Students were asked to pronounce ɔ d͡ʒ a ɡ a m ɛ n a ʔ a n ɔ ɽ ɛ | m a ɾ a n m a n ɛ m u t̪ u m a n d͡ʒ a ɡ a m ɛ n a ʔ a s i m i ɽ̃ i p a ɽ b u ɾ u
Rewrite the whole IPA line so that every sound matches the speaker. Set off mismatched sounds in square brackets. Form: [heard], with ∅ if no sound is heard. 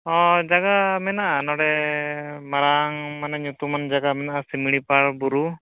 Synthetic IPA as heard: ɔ d͡ʒ a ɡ a m ɛ n a ʔ a n ɔ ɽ ɛ | m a ɾ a [ŋ] m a n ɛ [ɲ] u t̪ u m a n d͡ʒ a ɡ a m ɛ n a ʔ a s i m i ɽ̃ i p a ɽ b u ɾ u